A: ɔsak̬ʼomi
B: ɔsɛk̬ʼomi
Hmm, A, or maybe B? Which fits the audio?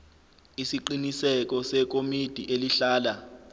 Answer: B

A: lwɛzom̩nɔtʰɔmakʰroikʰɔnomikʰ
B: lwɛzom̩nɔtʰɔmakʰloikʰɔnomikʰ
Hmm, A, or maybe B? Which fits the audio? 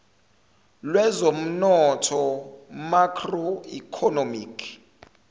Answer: A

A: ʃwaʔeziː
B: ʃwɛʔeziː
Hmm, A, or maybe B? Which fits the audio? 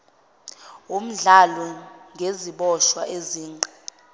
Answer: A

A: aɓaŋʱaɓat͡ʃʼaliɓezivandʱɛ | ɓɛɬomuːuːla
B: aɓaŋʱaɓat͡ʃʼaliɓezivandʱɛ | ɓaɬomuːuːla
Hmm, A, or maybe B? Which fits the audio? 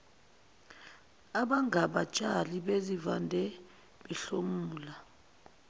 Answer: A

